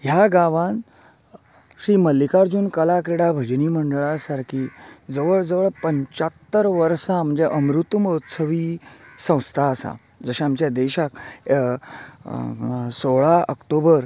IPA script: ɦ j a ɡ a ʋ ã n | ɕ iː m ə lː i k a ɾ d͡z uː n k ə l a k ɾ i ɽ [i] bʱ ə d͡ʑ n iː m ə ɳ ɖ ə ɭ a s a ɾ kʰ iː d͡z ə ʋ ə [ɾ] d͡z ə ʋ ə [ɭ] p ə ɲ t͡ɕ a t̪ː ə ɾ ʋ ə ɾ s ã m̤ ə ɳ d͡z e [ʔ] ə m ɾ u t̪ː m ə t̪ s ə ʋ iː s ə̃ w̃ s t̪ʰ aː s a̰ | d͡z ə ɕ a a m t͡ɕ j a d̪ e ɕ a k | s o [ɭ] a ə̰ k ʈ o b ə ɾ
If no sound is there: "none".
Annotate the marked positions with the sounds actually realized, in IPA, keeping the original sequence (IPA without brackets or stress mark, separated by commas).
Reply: a, ɭ, ɭ, ʔ, ɭ